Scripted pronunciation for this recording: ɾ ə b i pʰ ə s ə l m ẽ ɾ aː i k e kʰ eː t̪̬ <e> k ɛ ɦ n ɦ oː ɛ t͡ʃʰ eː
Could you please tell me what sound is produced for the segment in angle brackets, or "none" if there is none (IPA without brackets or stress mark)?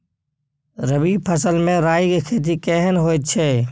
i